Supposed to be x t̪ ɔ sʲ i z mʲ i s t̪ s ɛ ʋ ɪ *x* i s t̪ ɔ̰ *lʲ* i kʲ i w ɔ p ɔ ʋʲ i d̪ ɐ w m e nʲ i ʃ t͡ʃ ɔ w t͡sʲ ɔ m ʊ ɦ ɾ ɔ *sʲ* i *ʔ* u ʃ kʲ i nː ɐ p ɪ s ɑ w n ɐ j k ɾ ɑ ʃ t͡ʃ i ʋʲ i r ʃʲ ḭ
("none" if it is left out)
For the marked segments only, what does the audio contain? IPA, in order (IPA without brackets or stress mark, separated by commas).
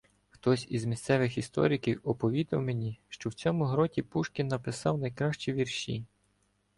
x, ɾʲ, tʲ, p